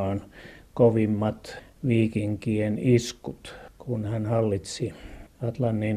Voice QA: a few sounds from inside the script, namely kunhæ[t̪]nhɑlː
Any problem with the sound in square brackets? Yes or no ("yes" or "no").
yes